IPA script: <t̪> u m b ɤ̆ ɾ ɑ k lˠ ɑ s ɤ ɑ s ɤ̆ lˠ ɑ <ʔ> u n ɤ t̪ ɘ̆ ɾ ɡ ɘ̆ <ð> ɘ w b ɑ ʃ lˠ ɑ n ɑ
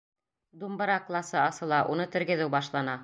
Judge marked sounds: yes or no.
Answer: no, yes, yes

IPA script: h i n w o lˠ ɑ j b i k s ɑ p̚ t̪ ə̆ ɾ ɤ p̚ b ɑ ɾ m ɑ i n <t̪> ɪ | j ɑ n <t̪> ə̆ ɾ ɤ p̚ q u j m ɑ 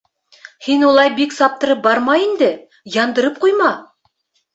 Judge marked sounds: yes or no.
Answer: no, no

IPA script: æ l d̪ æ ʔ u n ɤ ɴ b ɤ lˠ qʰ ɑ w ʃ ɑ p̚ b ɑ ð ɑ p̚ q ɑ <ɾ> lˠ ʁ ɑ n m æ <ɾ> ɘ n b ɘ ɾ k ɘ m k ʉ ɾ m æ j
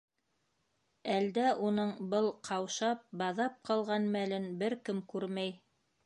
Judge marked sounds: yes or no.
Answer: no, no

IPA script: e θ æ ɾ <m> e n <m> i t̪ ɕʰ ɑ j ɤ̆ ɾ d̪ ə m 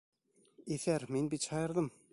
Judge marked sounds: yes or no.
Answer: yes, no

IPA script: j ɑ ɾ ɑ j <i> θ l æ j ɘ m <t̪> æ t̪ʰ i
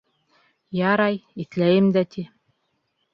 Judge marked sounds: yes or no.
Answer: yes, no

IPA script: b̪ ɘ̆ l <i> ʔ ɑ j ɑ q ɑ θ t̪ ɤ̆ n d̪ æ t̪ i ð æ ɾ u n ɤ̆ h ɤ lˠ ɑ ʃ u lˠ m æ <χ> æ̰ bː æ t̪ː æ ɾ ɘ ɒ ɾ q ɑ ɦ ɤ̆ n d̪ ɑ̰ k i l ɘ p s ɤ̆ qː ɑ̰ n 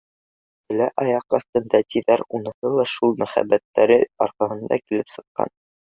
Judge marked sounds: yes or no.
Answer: no, yes

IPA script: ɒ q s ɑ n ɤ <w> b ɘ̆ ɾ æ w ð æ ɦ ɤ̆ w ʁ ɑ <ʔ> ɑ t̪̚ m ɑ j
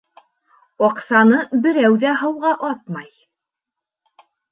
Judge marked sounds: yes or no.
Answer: no, yes

